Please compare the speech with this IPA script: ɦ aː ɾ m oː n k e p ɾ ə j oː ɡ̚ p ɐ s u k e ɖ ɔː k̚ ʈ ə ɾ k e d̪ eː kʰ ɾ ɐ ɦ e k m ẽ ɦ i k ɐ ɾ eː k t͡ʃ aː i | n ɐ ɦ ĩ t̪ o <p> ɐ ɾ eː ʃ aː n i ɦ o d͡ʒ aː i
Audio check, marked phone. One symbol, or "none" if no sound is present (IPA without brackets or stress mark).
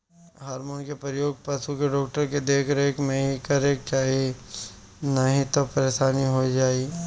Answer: p